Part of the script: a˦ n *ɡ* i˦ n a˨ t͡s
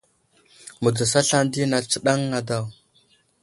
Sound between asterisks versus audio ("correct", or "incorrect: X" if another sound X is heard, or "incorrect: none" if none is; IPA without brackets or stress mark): incorrect: d